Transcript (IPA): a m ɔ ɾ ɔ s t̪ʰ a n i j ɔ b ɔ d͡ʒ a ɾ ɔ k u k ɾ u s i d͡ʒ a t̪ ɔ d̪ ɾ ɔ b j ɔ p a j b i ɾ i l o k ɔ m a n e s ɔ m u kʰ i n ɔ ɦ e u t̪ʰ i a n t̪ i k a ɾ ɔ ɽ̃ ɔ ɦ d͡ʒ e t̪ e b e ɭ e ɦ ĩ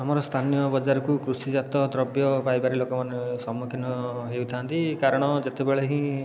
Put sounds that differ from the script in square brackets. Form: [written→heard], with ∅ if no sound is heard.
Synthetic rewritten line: a m ɔ ɾ ɔ s t̪ʰ a n i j ɔ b ɔ d͡ʒ a ɾ ɔ k u k ɾ u s i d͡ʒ a t̪ ɔ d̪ ɾ ɔ b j ɔ p a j b [i→a] ɾ i l o k ɔ m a n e s ɔ m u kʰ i n ɔ ɦ e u t̪ʰ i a n t̪ i k a ɾ ɔ ɽ̃ ɔ [ɦ→∅] d͡ʒ e t̪ e b e ɭ e ɦ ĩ